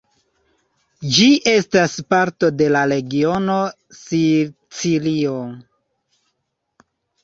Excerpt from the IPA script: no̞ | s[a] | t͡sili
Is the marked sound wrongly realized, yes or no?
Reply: yes